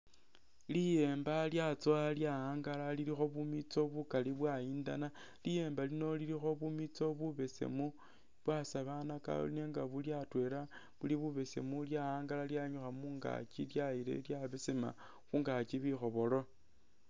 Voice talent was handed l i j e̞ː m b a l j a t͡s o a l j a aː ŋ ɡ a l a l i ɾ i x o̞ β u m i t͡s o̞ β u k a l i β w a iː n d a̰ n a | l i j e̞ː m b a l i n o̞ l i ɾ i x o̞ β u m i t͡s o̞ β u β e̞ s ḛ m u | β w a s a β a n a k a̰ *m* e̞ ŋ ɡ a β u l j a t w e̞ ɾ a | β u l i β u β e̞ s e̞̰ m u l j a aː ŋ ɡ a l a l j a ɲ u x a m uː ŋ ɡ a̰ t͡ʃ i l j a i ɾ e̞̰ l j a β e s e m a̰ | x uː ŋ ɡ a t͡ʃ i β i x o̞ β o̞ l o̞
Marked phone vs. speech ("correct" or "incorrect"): incorrect